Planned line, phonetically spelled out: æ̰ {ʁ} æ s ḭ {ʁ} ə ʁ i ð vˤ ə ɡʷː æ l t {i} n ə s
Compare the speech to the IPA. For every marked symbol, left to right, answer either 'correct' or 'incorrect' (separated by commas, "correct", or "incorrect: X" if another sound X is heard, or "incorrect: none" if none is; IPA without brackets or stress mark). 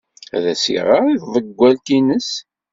incorrect: ð, correct, correct